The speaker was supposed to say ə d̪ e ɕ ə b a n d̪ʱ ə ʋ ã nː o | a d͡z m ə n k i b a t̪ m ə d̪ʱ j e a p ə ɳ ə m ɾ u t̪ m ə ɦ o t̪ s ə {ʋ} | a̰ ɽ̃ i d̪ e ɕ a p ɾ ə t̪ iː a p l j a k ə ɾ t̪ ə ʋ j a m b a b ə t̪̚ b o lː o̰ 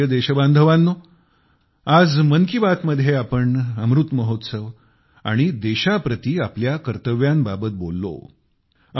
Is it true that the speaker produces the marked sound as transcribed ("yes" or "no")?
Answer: yes